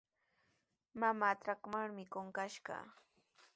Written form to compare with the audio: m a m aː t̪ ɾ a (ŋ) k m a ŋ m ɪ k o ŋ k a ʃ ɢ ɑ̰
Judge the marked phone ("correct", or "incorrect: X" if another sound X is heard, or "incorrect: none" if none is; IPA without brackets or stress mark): incorrect: none